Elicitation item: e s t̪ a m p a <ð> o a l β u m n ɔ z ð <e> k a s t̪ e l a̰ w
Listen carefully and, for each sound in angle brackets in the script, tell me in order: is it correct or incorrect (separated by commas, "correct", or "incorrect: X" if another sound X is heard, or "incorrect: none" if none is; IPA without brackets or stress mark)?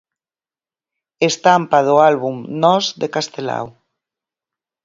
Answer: correct, correct